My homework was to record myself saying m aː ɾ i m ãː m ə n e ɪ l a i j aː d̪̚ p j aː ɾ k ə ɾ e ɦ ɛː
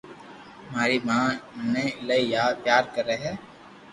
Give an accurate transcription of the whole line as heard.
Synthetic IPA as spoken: m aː ɾ i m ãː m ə n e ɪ l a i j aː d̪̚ p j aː ɾ k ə ɾ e ɦ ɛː